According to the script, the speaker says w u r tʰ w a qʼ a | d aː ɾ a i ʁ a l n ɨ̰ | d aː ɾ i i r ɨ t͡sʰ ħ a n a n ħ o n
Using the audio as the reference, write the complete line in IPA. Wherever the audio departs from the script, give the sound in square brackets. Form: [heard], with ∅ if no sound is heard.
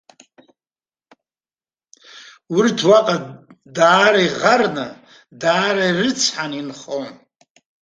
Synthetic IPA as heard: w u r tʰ w a qʼ a | d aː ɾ a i ʁ a [r] n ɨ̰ | d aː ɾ [a] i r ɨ t͡sʰ ħ a n [i] n [χ] o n